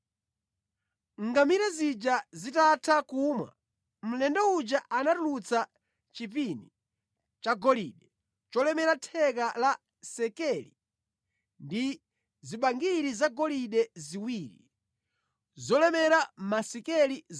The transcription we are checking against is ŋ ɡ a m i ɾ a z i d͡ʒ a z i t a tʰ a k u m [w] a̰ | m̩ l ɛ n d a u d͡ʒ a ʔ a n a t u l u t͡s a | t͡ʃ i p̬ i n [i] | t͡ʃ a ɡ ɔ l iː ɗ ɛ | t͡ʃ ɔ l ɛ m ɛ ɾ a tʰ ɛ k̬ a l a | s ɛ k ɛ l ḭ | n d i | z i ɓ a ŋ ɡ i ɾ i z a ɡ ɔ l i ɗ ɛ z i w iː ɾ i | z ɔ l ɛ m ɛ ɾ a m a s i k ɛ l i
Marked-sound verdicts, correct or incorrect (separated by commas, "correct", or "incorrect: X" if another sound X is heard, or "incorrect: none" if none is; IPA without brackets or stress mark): correct, correct